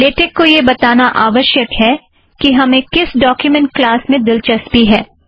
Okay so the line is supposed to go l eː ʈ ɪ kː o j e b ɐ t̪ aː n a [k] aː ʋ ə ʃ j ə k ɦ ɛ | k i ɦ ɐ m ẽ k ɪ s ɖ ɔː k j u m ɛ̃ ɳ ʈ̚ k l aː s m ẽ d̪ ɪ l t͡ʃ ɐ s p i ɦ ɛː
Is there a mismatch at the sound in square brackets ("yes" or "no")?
yes